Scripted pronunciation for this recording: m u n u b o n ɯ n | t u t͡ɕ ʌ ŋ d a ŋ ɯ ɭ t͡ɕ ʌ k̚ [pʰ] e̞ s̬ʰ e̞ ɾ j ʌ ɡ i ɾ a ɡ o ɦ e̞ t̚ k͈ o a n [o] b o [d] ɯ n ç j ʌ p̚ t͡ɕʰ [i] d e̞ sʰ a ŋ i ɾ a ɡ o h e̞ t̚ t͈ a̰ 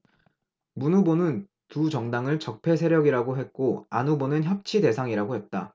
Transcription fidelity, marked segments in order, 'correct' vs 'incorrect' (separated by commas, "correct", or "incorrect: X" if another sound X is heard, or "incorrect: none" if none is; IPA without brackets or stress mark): correct, incorrect: u, incorrect: n, correct